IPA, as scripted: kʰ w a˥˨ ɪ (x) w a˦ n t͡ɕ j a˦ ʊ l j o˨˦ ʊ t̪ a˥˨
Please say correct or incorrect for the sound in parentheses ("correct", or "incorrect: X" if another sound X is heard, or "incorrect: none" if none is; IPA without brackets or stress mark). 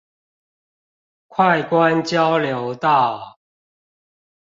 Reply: incorrect: k